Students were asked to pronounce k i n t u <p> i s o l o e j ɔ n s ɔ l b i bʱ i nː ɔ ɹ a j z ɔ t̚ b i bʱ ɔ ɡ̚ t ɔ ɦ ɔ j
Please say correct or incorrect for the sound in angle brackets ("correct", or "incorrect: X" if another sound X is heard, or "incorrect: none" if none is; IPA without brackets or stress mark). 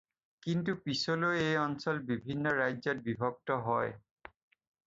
correct